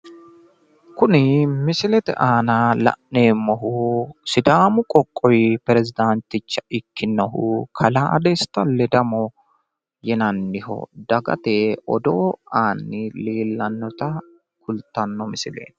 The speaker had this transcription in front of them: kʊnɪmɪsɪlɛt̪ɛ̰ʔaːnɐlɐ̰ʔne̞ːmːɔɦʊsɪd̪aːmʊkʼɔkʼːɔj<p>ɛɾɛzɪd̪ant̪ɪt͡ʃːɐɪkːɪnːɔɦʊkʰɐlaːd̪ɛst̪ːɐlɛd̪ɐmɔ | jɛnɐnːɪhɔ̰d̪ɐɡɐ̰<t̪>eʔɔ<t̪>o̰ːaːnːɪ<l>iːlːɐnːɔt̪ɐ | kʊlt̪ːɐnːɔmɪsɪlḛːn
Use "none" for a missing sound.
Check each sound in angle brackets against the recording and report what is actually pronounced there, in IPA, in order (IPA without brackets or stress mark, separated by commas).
p, t̪, d̪, l